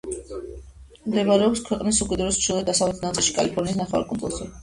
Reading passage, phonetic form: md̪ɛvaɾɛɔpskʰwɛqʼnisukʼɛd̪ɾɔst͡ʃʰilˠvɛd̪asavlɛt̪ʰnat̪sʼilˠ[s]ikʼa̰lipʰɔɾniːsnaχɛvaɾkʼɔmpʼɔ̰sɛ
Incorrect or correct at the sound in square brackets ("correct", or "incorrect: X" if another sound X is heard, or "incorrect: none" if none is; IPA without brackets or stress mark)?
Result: incorrect: ʃ